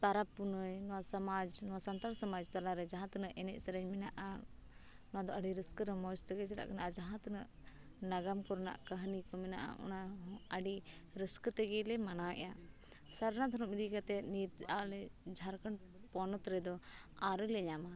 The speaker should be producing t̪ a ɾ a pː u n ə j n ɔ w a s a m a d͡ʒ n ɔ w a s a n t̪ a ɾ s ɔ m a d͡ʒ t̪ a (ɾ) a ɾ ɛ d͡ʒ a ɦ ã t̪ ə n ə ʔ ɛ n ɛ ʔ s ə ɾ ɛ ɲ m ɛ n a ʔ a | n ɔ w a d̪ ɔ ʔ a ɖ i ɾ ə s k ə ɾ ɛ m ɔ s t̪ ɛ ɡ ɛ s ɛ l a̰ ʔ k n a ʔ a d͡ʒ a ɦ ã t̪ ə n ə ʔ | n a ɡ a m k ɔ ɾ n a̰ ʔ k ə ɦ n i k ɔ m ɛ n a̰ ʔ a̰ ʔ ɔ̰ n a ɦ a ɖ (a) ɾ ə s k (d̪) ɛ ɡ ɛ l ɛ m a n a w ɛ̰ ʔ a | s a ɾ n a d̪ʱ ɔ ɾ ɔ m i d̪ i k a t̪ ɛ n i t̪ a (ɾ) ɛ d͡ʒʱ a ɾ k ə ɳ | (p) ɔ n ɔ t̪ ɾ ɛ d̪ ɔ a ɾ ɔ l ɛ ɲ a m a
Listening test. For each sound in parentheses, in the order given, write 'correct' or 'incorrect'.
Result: incorrect: l, incorrect: i, incorrect: t̪, incorrect: l, correct

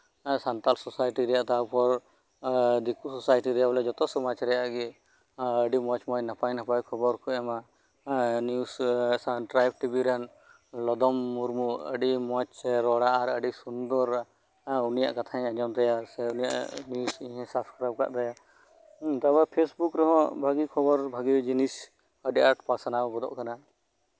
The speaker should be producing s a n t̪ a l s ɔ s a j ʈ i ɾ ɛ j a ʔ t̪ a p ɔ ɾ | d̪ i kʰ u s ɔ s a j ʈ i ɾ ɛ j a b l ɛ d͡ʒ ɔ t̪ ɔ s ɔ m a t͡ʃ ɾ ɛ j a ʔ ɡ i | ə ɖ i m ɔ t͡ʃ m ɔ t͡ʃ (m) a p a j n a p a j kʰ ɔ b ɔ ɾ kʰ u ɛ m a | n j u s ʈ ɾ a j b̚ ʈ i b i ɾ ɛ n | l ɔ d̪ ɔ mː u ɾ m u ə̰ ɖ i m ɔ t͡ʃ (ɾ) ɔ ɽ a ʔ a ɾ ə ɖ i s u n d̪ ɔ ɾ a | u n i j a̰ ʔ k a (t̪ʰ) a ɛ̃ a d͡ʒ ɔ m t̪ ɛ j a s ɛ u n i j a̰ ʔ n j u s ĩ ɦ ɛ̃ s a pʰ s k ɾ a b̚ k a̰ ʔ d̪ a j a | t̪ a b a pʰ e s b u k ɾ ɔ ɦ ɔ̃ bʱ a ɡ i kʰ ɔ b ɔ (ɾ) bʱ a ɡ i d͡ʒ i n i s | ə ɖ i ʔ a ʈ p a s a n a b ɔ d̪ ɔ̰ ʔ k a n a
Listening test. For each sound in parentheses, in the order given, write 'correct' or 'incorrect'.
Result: incorrect: n, correct, correct, correct

